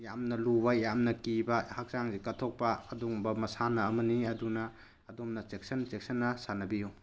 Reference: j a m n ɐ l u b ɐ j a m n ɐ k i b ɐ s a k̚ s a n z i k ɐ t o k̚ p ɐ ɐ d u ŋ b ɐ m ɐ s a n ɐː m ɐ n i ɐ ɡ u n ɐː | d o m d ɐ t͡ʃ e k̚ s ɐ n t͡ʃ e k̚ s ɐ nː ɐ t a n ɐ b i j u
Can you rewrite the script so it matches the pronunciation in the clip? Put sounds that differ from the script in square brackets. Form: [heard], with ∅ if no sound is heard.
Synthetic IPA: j a m n ɐ l u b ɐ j a m n ɐ k i b ɐ [h] a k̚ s a [ŋ] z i k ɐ [tʰ] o k̚ p ɐ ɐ d u ŋ b ɐ m ɐ s a n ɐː m ɐ n i ɐ [d] u n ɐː | d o m [n] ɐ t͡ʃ e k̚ s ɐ n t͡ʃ e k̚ s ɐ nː ɐ [s] a n ɐ b i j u